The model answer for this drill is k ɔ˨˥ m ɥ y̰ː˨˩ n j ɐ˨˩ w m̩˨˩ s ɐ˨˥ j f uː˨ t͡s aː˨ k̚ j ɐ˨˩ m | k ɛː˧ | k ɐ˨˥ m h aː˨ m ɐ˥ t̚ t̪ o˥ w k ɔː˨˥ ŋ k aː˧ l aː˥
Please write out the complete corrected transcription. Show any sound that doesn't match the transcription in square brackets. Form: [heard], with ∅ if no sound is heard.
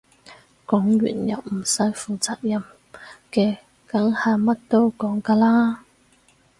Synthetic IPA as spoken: k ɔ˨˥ [ŋ] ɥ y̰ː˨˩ n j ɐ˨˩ w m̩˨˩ s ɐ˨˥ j f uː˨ t͡s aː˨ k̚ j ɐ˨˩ m | k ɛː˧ | k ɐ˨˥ [ŋ] h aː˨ m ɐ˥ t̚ t̪ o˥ w k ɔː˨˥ ŋ k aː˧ l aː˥